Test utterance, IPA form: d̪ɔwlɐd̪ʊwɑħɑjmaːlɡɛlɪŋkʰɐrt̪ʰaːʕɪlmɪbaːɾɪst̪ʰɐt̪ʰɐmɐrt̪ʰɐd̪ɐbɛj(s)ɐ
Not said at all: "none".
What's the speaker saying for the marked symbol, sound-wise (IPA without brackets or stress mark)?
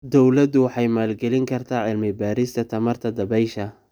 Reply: ʃ